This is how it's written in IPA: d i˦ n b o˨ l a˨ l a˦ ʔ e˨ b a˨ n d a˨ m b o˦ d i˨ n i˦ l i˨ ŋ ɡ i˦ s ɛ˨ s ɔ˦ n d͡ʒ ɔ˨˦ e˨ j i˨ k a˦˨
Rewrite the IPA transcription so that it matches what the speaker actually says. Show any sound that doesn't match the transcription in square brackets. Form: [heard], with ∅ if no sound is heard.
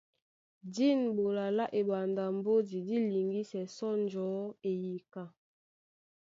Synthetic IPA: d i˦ n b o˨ l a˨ l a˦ ʔ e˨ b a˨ n d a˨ m b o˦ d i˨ [d] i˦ l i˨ ŋ ɡ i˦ s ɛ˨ s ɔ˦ n d͡ʒ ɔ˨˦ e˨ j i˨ k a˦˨